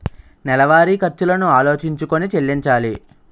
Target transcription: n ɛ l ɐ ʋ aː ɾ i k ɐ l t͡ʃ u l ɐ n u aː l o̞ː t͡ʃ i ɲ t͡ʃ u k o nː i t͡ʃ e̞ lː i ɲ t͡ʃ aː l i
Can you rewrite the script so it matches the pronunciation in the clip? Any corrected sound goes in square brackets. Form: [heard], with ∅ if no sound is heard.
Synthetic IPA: n ɛ l ɐ ʋ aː ɾ i k ɐ [ɾ] t͡ʃ u l ɐ n u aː l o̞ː t͡ʃ i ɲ t͡ʃ u k o [n] i t͡ʃ e̞ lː i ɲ t͡ʃ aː l i